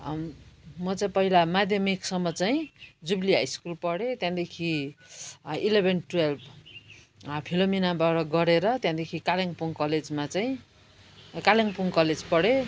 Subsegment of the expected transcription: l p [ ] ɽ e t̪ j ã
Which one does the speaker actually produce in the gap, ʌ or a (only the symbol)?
ʌ